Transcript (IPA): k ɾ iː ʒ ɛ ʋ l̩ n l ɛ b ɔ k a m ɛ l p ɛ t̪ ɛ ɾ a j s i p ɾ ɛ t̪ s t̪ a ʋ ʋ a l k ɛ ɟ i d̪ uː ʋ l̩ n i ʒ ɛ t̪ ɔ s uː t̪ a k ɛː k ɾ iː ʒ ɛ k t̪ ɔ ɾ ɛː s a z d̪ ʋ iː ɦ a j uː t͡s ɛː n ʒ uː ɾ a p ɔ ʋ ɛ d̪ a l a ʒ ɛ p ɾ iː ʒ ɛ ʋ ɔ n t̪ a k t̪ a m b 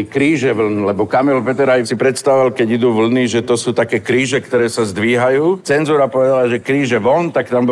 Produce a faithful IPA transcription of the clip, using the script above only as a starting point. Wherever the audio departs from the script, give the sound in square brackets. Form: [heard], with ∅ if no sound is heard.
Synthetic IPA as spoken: k ɾ iː ʒ ɛ ʋ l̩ n l ɛ b ɔ k a m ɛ l p ɛ t̪ ɛ ɾ a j s i p ɾ ɛ t̪ s t̪ a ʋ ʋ a l k ɛ ɟ i d̪ uː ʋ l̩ n i ʒ ɛ t̪ ɔ s uː t̪ a k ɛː k ɾ iː ʒ ɛ k t̪ ɔ ɾ ɛː s a z d̪ ʋ iː ɦ a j uː t͡s [ɛ] n [z] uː ɾ a p ɔ ʋ ɛ d̪ a l a ʒ ɛ [k] ɾ iː ʒ ɛ ʋ ɔ n t̪ a k t̪ a m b